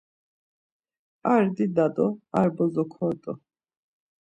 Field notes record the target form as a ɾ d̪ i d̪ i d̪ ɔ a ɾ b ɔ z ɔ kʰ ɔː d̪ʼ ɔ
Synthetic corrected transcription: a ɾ d̪ i d̪ a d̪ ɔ a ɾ b ɔ z ɔ kʰ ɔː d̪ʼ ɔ